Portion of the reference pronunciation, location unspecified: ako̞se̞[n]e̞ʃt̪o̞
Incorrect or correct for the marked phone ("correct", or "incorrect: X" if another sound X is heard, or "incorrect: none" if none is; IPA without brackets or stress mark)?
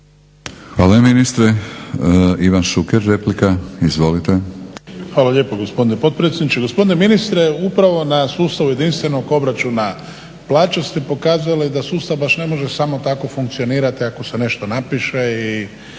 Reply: correct